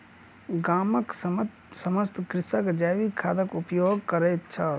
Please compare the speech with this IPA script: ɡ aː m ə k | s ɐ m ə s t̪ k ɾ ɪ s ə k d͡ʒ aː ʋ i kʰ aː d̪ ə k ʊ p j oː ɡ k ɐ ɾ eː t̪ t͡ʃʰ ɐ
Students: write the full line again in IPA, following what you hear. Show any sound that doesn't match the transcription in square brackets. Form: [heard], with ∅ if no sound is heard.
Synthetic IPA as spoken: ɡ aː m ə k | s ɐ m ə s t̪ k ɾ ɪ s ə k d͡ʒ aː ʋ i kʰ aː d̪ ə k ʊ p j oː ɡ k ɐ ɾ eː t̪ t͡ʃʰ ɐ